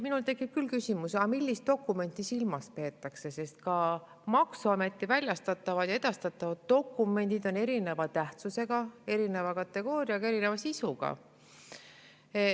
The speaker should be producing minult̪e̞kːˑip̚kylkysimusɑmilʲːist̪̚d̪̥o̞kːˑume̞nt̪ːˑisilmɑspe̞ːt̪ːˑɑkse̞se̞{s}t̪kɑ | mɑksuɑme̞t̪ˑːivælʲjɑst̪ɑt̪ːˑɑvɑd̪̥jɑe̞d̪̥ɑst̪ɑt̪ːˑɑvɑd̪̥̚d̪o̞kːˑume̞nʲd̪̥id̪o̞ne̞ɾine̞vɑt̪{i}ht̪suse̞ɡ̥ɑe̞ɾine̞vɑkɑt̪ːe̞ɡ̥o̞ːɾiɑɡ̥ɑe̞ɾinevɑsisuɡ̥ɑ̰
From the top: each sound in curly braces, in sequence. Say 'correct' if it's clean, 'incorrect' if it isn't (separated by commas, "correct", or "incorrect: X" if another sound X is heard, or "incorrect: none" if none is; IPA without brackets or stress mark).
correct, incorrect: æ